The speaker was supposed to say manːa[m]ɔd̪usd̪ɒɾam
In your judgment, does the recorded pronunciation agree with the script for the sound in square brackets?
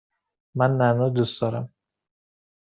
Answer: no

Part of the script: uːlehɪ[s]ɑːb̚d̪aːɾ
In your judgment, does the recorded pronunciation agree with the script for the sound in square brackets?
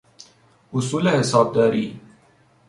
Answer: yes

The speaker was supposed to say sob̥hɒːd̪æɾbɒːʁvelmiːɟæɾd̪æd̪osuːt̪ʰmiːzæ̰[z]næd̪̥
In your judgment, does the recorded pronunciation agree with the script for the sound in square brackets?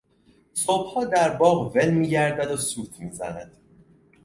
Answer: no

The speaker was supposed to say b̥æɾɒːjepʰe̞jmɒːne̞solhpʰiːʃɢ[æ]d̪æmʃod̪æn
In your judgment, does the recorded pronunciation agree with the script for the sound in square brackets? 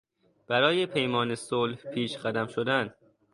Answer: yes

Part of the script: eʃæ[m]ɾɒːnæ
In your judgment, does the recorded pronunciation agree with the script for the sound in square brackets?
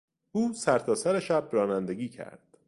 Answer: no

